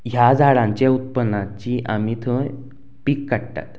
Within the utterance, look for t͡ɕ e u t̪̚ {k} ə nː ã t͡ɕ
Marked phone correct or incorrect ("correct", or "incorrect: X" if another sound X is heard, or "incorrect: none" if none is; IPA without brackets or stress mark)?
incorrect: p